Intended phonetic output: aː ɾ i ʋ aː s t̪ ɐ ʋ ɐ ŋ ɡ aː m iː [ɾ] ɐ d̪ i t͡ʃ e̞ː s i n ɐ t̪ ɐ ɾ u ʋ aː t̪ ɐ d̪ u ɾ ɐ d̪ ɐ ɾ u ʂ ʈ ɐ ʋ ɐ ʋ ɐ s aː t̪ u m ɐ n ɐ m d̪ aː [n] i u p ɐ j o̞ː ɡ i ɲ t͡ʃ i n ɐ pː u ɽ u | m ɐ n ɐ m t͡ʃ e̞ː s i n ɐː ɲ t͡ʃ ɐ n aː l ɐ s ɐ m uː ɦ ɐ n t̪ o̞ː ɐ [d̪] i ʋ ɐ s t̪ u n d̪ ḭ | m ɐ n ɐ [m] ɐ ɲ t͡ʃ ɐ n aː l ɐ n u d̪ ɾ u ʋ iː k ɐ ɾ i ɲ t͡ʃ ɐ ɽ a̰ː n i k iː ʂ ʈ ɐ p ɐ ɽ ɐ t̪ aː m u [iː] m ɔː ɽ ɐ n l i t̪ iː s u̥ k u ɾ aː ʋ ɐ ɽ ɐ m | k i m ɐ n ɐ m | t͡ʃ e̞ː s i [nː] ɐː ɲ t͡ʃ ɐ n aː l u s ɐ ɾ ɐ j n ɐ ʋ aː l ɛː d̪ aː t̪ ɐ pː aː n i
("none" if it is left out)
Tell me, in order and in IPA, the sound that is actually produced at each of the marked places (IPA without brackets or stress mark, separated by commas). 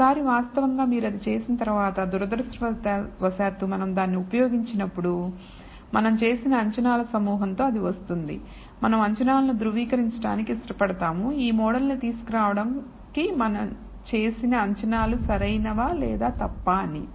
ɾ, nː, d̪, m, iː, n